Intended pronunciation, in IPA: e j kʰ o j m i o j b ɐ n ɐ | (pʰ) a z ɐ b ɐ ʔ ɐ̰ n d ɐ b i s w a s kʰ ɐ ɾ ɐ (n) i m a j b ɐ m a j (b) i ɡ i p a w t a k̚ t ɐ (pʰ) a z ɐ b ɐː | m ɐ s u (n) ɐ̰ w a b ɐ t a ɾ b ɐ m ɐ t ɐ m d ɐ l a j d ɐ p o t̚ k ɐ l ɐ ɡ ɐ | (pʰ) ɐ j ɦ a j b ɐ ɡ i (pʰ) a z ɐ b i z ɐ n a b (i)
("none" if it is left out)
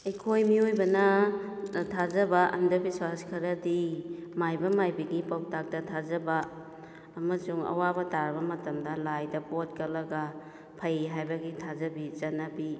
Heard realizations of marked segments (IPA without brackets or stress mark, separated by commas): tʰ, d, b, tʰ, ŋ, pʰ, tʰ, i